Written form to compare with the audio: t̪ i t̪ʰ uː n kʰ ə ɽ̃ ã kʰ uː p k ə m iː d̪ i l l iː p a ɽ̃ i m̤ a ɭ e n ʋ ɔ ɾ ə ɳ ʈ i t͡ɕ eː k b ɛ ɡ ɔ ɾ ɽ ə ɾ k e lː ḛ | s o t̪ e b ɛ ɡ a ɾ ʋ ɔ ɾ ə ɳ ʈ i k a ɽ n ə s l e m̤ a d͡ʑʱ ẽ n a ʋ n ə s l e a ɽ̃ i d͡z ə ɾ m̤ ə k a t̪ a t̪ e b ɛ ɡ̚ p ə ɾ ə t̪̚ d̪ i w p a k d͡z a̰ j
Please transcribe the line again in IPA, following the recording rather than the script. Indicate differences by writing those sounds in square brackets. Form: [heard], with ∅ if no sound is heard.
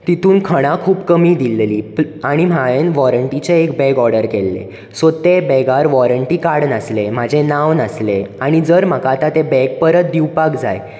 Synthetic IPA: t̪ i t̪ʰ uː n kʰ ə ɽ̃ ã kʰ uː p k ə m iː d̪ i l l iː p a ɽ̃ i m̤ a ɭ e n ʋ ɔ ɾ ə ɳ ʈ i t͡ɕ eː k b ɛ ɡ ɔ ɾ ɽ ə ɾ k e lː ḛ | s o t̪ e b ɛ ɡ a ɾ ʋ ɔ ɾ ə ɳ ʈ i k a ɽ n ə s l e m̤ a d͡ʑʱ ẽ n a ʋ n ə s l e a ɽ̃ i d͡z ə ɾ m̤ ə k a t̪ a t̪ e b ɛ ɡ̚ p ə ɾ ə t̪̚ d̪ i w p a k d͡z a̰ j